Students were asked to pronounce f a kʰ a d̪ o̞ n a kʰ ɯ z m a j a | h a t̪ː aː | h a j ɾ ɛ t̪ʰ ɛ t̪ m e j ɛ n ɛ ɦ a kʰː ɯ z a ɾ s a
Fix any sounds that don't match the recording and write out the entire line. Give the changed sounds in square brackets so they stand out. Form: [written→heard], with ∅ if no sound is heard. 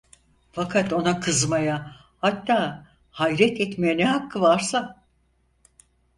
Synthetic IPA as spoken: f a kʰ a [d̪→t̪] o̞ n a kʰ ɯ z m a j a | h a t̪ː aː | h a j ɾ ɛ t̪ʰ ɛ t̪ m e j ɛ n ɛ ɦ a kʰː ɯ [z→v] a ɾ s a